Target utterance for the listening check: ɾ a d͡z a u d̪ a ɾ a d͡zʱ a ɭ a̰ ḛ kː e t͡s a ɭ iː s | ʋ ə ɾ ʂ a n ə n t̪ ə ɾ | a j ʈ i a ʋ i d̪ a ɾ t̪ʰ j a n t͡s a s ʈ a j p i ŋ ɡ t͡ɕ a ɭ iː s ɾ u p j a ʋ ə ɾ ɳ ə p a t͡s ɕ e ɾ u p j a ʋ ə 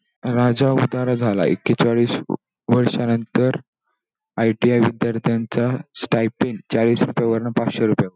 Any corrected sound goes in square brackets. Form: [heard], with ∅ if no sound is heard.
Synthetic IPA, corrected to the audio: ɾ a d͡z a u d̪ a ɾ a d͡zʱ a [l] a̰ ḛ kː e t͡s a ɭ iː s | ʋ ə ɾ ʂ a n ə n t̪ ə ɾ | a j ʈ i a ʋ i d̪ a ɾ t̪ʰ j a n t͡s a s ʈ a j p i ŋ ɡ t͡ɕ a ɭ iː s ɾ u p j a ʋ ə ɾ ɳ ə p a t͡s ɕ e ɾ u p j a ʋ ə

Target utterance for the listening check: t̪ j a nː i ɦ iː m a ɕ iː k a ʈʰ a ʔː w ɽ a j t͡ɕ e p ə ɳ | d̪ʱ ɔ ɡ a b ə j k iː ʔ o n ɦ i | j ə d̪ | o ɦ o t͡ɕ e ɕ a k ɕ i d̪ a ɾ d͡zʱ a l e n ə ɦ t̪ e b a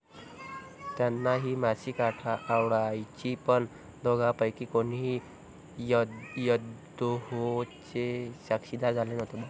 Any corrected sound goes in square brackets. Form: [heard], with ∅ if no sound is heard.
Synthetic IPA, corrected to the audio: t̪ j a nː [a] ɦ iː m a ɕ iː k a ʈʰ a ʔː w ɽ a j t͡ɕ [i] p ə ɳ | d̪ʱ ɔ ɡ a [p] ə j k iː [k] o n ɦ i | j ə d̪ | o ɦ o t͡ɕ e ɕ a k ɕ i d̪ a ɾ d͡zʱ a l e n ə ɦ t̪ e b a

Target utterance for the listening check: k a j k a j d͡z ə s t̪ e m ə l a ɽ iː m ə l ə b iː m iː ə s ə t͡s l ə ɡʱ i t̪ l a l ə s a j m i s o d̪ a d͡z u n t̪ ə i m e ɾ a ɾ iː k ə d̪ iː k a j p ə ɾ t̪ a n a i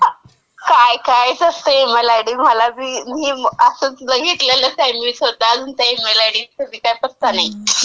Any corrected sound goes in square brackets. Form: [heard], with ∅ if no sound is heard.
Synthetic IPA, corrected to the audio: k a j k a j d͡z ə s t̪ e m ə l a ɽ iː m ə l [a] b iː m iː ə s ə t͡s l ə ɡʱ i t̪ l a l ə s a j m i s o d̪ a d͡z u n t̪ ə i m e [l] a [ɽ] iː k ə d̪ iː k a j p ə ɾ t̪ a n a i

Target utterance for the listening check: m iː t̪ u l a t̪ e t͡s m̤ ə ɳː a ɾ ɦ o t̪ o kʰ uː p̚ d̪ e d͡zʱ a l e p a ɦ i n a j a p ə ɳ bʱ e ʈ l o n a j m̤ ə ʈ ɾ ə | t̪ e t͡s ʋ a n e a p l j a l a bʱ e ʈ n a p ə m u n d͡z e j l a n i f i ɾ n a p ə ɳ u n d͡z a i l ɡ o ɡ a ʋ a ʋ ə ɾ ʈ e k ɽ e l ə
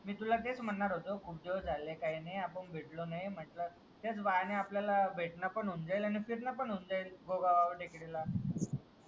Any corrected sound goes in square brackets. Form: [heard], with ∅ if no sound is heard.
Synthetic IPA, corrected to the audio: m iː t̪ u l a t̪ e t͡s m̤ ə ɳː a ɾ ɦ o t̪ o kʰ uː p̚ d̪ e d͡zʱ a l e [k] a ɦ i n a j a p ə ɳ bʱ e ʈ l o n a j m̤ ə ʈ [l] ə | t̪ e t͡s ʋ a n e a p l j a l a bʱ e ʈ n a p ə [ɳ] u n d͡z [a] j l a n i f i ɾ n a p ə ɳ u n d͡z a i l ɡ o ɡ a ʋ a ʋ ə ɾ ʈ e k ɽ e l [a]

